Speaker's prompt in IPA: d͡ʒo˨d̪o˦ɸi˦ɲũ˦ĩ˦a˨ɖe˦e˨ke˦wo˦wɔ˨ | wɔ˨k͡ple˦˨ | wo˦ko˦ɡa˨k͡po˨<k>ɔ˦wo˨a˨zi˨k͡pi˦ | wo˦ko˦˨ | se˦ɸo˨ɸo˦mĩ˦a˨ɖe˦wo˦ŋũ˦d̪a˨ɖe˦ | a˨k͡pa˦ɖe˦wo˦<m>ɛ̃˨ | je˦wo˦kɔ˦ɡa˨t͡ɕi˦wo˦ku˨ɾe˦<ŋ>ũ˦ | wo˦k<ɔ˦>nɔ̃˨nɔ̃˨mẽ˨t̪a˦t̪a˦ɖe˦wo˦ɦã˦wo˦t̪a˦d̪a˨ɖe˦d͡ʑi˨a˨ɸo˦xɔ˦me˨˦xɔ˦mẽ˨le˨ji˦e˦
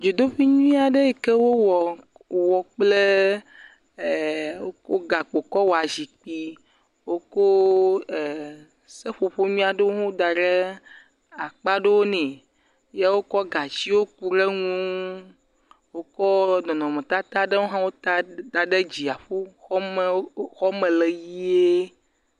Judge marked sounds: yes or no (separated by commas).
yes, no, yes, yes